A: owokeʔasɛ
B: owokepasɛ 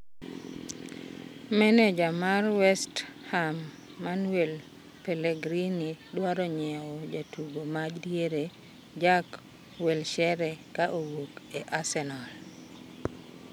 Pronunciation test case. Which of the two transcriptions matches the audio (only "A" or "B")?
A